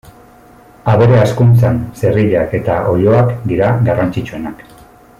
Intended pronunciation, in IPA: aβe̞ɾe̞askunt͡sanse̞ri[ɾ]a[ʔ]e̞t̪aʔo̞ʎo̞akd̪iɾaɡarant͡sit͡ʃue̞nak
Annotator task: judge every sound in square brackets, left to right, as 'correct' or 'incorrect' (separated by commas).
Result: incorrect, incorrect